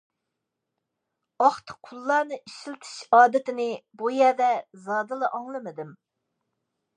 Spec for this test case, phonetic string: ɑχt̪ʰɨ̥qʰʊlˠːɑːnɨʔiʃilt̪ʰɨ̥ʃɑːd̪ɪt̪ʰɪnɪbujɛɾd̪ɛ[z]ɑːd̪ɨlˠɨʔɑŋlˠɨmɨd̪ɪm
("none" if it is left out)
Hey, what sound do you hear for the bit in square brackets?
z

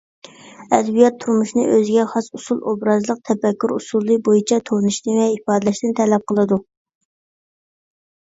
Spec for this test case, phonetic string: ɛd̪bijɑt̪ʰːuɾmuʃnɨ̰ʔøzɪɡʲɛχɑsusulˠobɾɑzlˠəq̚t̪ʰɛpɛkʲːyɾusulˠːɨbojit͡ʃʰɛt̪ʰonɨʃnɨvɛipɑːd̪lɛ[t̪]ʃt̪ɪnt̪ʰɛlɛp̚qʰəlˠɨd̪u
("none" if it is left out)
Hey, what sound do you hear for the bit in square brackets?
none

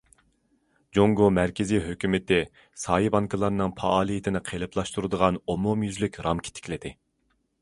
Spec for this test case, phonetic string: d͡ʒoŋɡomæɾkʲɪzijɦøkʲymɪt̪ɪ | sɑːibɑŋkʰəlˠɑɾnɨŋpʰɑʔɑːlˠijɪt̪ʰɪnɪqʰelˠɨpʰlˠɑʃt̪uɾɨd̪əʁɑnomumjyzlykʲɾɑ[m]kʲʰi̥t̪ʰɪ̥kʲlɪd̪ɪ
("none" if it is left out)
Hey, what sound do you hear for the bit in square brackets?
m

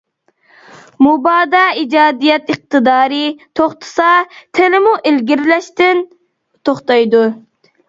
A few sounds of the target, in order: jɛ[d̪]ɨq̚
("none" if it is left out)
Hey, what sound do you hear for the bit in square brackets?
t̪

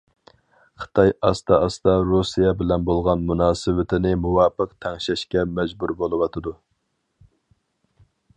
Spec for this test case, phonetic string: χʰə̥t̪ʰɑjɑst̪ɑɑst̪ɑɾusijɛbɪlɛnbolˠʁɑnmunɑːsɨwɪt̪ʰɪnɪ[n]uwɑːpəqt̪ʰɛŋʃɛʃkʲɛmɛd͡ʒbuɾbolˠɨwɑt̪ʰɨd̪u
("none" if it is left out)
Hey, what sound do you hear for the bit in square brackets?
m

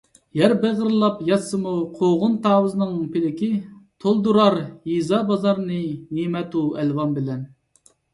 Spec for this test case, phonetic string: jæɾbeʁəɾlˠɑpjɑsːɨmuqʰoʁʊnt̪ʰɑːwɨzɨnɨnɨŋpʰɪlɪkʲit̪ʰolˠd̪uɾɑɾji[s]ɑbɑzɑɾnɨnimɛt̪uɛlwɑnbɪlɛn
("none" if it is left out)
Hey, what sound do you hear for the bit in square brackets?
z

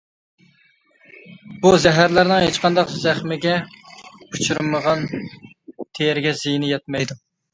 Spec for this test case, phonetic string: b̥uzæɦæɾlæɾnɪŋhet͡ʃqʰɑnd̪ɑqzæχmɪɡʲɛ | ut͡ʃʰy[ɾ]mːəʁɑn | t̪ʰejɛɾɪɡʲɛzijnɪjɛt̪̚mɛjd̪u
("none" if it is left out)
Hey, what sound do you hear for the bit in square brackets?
ɾ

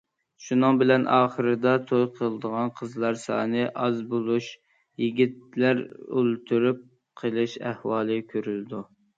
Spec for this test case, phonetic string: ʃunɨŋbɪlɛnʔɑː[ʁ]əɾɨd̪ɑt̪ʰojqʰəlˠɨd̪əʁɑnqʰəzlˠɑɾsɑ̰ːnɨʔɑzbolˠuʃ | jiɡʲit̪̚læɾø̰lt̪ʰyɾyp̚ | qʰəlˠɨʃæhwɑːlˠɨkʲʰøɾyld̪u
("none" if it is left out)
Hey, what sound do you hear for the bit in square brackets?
χ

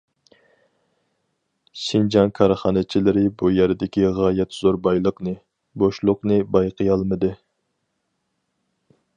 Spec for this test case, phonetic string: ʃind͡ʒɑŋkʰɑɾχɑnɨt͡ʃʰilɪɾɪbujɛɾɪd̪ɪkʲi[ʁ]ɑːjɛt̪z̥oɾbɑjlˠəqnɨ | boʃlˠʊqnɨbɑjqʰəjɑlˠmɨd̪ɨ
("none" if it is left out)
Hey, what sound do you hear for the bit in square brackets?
ʁ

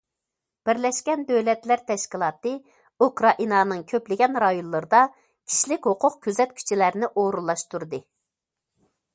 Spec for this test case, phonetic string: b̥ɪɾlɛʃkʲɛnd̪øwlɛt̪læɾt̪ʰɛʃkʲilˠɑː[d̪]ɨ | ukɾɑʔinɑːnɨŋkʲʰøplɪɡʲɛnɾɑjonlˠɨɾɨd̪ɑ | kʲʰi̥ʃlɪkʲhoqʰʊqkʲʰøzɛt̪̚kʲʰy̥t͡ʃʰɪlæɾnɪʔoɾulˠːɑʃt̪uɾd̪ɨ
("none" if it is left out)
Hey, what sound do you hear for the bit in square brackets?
t̪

